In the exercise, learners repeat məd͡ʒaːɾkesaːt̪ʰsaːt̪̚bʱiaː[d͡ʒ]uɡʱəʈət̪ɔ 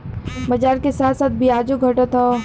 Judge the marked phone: correct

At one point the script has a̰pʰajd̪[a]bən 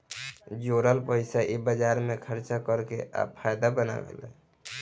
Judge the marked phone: correct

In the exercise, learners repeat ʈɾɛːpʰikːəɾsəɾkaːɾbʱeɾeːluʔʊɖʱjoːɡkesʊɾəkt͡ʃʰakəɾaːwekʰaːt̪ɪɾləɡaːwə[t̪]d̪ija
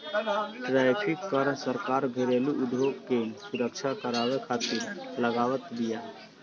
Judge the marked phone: correct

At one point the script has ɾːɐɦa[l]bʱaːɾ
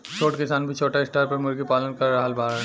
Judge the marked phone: correct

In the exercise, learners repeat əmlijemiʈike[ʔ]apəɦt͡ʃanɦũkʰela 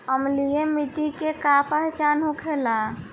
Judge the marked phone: incorrect: k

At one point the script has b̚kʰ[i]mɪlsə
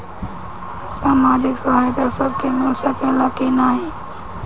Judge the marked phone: incorrect: e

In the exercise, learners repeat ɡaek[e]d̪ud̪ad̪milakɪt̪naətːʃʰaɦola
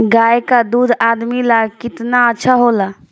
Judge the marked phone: incorrect: a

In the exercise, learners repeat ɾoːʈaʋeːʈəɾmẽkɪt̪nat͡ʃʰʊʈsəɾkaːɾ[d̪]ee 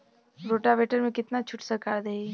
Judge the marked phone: correct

